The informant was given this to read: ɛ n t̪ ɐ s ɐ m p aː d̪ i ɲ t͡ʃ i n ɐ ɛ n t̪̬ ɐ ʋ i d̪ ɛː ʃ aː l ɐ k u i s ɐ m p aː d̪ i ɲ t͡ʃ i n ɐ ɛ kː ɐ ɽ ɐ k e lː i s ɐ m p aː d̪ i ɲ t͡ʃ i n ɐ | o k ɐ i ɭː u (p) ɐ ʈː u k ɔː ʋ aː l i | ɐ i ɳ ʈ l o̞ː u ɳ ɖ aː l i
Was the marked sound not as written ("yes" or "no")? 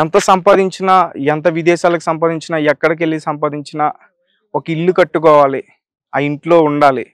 yes